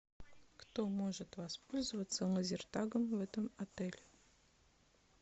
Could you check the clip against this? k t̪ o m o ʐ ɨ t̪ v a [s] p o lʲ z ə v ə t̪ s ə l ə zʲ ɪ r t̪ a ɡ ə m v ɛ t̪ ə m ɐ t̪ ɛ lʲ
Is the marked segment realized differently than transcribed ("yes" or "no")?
no